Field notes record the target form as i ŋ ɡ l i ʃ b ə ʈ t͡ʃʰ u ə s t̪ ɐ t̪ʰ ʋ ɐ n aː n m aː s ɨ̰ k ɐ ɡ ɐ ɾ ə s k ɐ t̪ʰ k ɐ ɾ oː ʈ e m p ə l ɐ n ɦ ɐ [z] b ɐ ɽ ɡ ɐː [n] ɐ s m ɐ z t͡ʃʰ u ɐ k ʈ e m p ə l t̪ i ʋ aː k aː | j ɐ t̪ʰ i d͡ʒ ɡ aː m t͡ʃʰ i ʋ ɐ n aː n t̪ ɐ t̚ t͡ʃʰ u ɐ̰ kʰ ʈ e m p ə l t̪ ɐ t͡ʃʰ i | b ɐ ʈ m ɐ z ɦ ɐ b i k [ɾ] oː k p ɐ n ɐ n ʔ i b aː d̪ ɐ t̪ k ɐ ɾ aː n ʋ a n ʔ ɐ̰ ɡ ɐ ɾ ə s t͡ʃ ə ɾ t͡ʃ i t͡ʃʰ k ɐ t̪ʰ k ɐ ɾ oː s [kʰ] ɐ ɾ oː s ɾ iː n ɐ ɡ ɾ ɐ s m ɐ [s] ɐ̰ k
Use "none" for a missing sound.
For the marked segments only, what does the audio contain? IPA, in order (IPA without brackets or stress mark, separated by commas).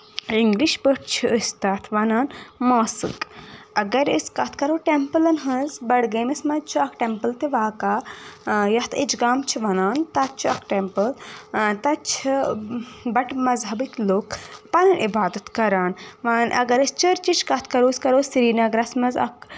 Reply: z, m, l, k, z